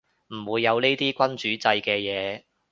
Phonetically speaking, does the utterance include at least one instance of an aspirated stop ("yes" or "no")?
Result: no